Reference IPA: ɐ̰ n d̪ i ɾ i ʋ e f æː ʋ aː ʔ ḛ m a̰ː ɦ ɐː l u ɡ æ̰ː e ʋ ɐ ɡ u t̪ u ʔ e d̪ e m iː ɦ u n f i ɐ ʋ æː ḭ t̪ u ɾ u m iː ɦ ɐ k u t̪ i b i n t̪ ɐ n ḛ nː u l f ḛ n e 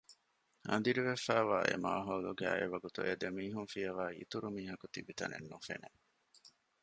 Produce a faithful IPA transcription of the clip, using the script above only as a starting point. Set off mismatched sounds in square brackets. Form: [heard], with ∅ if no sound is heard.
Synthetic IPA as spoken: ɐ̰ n d̪ i ɾ i ʋ e f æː ʋ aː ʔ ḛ m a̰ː ɦ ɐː l u ɡ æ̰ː e ʋ ɐ ɡ u t̪ u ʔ e d̪ e m iː ɦ u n f i ɐ ʋ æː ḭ t̪ u ɾ u m iː ɦ ɐ k u t̪ i b i [∅] t̪ ɐ n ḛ nː u [∅] f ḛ n e